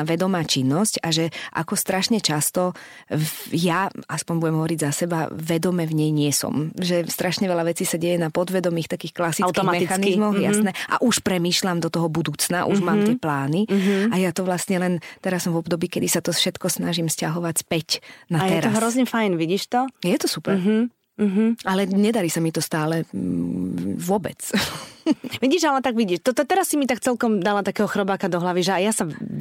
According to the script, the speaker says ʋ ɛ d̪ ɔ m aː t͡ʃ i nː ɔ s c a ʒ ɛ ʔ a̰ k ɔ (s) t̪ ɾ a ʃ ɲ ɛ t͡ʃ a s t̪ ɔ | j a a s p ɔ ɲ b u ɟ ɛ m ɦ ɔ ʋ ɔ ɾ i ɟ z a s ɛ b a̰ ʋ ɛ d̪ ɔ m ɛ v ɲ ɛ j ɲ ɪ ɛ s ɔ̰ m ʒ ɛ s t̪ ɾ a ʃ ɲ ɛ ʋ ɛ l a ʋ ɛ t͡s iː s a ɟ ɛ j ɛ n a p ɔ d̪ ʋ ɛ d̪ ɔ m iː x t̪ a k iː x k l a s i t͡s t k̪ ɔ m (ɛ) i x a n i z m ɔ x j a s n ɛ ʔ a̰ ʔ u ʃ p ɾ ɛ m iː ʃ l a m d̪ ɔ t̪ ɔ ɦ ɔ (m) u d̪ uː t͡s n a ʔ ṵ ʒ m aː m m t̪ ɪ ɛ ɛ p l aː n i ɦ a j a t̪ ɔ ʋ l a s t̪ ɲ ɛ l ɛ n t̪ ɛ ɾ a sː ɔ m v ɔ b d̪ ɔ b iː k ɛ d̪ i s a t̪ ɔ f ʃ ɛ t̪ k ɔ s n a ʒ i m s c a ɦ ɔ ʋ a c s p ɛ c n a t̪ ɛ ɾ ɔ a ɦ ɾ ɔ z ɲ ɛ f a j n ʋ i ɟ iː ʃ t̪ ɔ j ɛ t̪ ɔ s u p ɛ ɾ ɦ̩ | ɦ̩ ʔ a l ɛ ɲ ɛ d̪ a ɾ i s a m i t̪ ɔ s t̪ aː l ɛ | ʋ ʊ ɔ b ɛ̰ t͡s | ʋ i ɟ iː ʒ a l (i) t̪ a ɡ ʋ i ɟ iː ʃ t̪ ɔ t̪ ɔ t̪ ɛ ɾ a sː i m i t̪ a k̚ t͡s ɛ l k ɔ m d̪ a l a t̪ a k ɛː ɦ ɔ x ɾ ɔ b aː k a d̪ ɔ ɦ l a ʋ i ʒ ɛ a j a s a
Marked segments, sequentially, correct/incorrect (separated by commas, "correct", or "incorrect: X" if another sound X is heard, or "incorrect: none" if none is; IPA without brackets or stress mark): correct, correct, incorrect: b, incorrect: ɛ